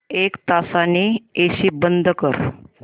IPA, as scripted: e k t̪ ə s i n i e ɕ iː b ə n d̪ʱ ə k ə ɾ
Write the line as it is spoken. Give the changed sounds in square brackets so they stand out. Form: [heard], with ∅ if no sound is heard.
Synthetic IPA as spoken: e k t̪ [a] s [a] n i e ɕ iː b ə n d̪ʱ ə k ə ɾ